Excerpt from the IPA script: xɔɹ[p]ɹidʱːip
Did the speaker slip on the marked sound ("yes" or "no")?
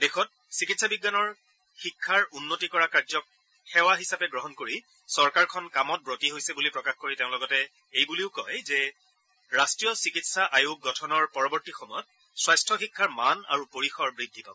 yes